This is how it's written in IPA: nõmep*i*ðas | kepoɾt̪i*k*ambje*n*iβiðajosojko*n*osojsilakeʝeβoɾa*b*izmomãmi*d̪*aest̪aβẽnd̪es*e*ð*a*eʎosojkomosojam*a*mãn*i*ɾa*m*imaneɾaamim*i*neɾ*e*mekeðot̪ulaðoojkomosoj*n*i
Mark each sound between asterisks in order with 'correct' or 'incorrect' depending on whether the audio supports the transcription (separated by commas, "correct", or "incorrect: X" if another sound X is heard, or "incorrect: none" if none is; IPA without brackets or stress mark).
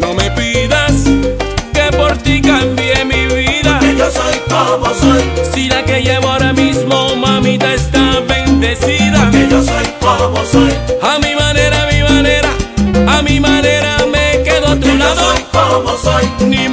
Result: correct, correct, incorrect: m, incorrect: m, incorrect: m, incorrect: t̪, incorrect: i, correct, incorrect: i, incorrect: e, correct, incorrect: a, incorrect: a, correct